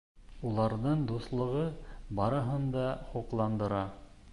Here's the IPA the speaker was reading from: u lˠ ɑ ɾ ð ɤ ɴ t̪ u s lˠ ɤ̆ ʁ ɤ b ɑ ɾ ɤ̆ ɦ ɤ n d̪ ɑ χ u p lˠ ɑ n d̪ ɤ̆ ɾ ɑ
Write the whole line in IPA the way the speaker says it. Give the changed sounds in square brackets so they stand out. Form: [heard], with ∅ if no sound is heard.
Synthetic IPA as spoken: u lˠ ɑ ɾ ð ɤ ɴ [d̪] u s lˠ ɤ̆ ʁ ɤ b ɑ ɾ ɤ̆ ɦ ɤ n d̪ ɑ χ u [q] lˠ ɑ n d̪ ɤ̆ ɾ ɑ